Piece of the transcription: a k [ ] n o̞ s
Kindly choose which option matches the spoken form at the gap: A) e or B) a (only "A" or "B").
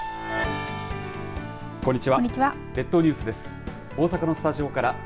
B